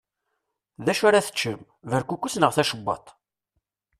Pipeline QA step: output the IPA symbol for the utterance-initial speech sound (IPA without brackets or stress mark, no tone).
ð